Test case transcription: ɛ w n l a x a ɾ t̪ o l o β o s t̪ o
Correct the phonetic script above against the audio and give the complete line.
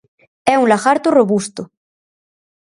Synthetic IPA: ɛ u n l a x a ɾ t̪ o r o β u s t̪ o